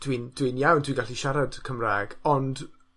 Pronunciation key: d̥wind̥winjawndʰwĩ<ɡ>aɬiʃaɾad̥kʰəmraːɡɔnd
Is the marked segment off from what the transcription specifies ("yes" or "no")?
no